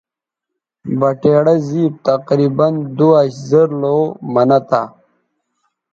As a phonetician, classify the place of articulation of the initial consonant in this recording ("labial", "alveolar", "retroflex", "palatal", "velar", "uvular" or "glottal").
labial